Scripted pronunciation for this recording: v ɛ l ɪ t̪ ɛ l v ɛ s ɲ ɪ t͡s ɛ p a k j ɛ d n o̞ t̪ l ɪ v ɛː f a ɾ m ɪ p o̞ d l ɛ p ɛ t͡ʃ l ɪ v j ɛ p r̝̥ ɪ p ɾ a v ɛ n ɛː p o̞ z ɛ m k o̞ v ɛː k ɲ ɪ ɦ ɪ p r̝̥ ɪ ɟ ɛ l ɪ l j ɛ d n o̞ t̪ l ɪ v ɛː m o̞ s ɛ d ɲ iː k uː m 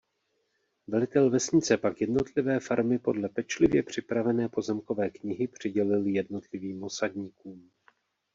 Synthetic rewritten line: v ɛ l ɪ t̪ ɛ l v ɛ s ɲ ɪ t͡s ɛ p a k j ɛ d n o̞ t̪ l ɪ v ɛː f a ɾ m ɪ p o̞ d l ɛ p ɛ t͡ʃ l ɪ v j ɛ p r̝̥ ɪ p ɾ a v ɛ n ɛː p o̞ z ɛ m k o̞ v ɛː k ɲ ɪ ɦ ɪ p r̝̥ ɪ ɟ ɛ l ɪ l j ɛ d n o̞ t̪ l ɪ v iː m o̞ s a d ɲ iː k uː m

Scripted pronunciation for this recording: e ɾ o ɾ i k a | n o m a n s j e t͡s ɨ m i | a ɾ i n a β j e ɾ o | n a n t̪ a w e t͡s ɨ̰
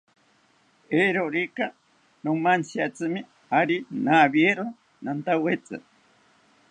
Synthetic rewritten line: e ɾ o ɾ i k a | n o m a n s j a t͡s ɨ m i | a ɾ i n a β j e ɾ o | n a n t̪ a w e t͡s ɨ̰

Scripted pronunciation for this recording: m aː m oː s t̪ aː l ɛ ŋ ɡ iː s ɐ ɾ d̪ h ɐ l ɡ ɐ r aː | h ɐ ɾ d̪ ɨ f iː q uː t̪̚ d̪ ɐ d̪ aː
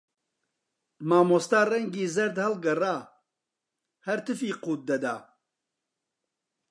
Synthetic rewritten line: m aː m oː s t̪ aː r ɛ ŋ ɡ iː z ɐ ɾ d̪ h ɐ l ɡ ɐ r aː | h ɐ ɾ t̪ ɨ f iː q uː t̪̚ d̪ ɐ d̪ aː

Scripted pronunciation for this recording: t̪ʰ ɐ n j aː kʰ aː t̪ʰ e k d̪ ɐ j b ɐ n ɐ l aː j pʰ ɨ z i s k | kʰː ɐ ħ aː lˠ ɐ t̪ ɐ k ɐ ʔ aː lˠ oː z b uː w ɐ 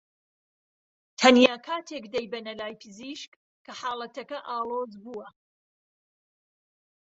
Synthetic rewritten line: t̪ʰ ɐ n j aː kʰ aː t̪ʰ e k d̪ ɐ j b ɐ n ɐ l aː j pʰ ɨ z i ʃ k | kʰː ɐ ħ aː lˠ ɐ t̪ ɐ k ɐ ʔ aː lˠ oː z b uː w ɐ

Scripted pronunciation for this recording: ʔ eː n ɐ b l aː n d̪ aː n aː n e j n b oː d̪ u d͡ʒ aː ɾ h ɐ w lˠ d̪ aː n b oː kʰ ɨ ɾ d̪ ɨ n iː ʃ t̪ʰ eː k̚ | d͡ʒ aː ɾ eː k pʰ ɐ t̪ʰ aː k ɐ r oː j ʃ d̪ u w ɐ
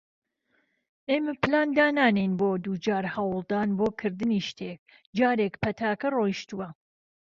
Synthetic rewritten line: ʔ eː m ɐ p l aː n d̪ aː n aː n e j n b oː d̪ u d͡ʒ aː ɾ h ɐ w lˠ d̪ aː n b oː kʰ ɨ ɾ d̪ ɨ n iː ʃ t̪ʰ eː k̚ | d͡ʒ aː ɾ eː k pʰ ɐ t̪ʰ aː k ɐ r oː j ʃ t̪ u w ɐ

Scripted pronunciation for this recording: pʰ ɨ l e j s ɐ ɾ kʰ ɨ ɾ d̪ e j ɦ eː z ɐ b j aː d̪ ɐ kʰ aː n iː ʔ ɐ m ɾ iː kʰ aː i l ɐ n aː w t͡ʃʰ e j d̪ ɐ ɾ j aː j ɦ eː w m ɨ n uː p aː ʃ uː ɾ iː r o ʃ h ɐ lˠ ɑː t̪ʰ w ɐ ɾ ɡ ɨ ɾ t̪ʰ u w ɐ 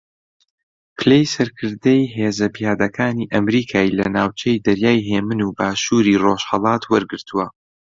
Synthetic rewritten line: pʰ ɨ l e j s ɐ ɾ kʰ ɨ ɾ d̪ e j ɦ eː z ɐ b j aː d̪ ɐ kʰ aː n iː ʔ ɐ m ɾ iː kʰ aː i l ɐ n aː w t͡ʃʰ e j d̪ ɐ ɾ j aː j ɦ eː m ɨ n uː b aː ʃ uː ɾ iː r o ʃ h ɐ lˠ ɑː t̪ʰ w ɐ ɾ ɡ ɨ ɾ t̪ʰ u w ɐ

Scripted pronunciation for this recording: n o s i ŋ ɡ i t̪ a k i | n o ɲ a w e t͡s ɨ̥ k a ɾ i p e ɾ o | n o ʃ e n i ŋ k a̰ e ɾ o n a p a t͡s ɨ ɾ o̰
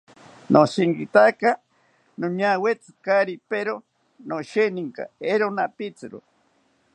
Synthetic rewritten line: n o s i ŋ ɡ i t̪ a k a | n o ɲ a w e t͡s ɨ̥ k a ɾ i p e ɾ o | n o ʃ e n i ŋ k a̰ e ɾ o n a p i t͡s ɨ ɾ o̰

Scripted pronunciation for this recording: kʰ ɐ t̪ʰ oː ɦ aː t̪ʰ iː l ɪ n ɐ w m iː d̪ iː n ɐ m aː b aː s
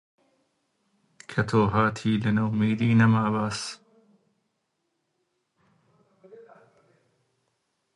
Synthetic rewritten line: kʰ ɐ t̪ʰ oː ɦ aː t̪ʰ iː l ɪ n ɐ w m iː d̪ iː n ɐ m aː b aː s

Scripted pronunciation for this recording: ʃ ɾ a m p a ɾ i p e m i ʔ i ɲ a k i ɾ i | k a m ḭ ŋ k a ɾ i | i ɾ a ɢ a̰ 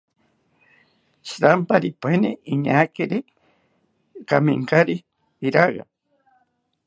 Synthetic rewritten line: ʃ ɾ a m p a ɾ i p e n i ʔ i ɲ a k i ɾ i | k a m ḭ ŋ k a ɾ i | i ɾ a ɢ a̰

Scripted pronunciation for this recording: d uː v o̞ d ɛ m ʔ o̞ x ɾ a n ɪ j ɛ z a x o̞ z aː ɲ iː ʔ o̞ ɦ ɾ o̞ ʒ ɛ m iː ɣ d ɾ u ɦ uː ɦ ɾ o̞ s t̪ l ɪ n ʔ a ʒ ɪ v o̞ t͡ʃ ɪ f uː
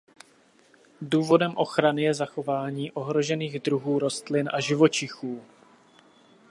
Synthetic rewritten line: d uː v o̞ d ɛ m ʔ o̞ x ɾ a n ɪ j ɛ z a x o̞ v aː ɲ iː ʔ o̞ ɦ ɾ o̞ ʒ ɛ n iː ɣ d ɾ u ɦ uː ɾ o̞ s t̪ l ɪ n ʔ a ʒ ɪ v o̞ t͡ʃ ɪ x uː

